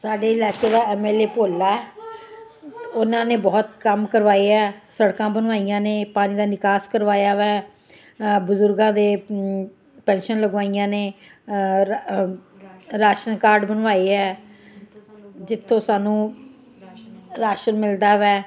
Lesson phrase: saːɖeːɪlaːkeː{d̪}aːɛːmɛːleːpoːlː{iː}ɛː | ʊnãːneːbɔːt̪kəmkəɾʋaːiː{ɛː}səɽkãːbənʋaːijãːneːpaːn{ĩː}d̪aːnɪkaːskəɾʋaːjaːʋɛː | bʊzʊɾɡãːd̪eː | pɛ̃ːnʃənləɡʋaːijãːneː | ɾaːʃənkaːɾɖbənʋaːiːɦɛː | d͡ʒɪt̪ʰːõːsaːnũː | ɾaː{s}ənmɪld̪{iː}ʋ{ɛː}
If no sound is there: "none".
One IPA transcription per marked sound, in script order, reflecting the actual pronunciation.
d̪, aː, ɛː, iː, ʃ, aː, ɛː

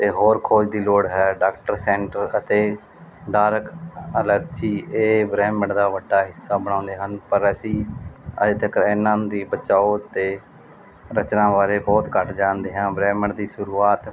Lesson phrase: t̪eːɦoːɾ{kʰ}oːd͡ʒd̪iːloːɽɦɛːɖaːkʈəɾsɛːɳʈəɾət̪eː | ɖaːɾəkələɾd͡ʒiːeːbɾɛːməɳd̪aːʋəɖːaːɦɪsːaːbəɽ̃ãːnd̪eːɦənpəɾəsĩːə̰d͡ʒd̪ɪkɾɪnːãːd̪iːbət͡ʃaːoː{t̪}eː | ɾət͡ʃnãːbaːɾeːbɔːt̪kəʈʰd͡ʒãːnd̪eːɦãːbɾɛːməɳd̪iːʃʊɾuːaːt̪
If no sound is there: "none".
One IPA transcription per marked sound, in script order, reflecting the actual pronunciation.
kʰ, t̪

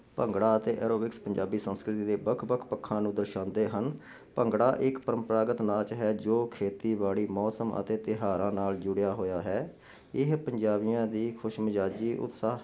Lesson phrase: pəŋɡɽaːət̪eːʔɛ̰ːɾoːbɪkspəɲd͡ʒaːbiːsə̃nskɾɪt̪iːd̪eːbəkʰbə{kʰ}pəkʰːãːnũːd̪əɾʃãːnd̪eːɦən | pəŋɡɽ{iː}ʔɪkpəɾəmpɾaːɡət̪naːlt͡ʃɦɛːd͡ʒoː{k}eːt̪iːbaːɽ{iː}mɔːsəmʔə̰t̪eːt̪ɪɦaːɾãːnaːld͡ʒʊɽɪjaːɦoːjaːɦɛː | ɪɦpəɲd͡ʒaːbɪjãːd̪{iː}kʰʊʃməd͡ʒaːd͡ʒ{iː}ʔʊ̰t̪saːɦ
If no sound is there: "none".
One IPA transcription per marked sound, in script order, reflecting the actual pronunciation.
kʰ, aː, kʰ, iː, iː, iː

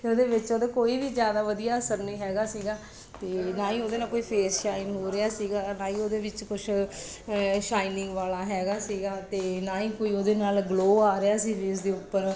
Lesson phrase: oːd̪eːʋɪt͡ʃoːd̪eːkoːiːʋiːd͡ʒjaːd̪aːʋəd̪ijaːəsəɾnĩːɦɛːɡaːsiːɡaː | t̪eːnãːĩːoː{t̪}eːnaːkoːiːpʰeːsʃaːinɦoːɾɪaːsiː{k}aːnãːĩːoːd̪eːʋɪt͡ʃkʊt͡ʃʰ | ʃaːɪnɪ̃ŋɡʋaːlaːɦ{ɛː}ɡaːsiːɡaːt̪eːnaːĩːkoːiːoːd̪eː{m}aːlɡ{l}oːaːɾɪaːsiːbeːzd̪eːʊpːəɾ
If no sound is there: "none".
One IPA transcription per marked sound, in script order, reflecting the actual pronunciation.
d̪, ɡ, ɛː, n, l

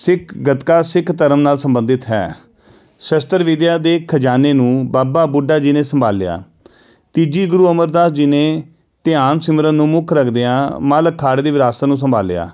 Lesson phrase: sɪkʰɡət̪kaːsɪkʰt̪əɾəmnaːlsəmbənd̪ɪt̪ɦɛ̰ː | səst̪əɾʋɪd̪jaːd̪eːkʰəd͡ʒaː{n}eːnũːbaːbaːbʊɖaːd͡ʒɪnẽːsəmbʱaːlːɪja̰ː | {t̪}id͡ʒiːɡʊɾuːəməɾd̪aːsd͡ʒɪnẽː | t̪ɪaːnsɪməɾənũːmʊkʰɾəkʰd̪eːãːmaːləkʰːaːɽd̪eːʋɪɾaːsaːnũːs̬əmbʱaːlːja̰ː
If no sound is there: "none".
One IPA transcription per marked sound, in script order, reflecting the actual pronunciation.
n, t̪

